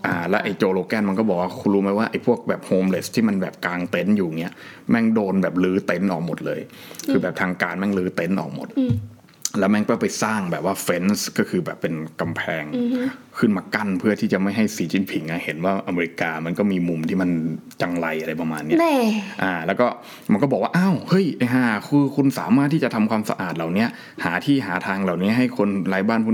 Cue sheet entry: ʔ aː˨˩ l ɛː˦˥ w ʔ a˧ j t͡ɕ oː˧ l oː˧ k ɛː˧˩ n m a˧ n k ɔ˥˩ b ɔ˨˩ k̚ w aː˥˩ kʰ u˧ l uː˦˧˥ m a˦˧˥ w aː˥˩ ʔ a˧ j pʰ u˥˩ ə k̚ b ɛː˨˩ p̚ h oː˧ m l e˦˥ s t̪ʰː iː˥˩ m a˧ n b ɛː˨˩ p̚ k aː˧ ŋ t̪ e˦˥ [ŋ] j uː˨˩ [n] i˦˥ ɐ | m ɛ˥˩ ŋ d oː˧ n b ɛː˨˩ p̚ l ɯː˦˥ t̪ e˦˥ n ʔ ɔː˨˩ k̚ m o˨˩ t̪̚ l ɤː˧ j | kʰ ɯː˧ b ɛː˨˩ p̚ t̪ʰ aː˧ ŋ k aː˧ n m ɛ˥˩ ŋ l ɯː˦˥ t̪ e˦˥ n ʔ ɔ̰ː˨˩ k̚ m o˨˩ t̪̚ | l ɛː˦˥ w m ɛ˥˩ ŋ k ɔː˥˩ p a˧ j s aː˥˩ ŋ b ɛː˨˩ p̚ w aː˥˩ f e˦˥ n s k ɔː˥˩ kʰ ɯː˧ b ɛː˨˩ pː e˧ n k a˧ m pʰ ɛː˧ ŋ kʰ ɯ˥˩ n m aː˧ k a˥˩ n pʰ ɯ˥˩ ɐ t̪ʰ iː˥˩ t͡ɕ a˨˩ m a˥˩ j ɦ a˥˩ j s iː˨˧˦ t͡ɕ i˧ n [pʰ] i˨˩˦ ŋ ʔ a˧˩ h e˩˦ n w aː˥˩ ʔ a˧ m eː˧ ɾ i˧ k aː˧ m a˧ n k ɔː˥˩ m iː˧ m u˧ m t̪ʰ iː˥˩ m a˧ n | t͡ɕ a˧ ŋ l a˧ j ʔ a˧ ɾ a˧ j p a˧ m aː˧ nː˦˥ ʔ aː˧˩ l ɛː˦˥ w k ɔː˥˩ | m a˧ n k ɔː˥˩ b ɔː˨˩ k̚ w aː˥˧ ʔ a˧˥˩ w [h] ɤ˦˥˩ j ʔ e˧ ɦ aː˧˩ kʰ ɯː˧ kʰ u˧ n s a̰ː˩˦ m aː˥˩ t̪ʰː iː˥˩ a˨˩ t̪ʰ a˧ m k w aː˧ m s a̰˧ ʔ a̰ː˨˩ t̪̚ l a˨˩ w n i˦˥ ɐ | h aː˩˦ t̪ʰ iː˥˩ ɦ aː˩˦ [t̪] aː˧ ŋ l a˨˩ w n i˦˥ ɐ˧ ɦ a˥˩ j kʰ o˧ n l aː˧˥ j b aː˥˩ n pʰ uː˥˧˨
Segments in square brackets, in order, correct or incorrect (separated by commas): incorrect, incorrect, correct, correct, incorrect